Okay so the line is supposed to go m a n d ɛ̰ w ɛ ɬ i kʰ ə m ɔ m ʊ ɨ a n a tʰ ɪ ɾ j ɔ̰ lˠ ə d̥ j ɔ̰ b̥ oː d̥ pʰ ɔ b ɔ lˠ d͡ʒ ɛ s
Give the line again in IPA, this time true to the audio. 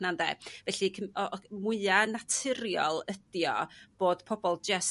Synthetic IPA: n a n d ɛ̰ v ɛ ɬ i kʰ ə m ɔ m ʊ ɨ a n a tʰ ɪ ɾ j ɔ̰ lˠ ə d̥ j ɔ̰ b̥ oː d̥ pʰ ɔ b ɔ lˠ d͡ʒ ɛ s